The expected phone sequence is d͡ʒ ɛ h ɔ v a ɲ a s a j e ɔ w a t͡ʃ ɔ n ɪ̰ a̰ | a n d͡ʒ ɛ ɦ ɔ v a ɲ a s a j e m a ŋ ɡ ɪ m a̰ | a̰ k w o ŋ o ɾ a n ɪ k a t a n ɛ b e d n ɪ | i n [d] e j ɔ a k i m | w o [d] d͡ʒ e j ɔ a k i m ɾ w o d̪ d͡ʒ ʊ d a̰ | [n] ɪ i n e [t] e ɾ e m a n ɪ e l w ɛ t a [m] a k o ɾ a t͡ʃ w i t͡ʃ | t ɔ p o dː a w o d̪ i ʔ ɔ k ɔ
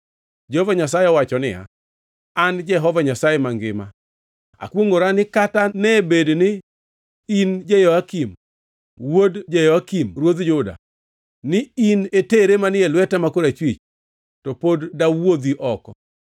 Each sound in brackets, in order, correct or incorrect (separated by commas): incorrect, correct, correct, correct, correct